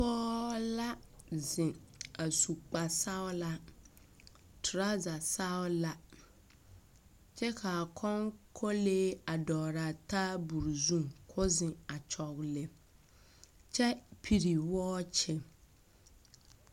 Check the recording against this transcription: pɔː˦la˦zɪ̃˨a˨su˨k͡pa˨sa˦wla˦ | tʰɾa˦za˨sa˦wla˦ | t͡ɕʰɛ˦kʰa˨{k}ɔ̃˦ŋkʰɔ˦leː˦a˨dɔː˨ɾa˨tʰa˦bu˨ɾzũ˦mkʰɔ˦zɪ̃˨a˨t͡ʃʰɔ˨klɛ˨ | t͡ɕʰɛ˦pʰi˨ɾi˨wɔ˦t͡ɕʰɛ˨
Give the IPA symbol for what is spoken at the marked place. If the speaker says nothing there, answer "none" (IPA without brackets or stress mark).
kʰ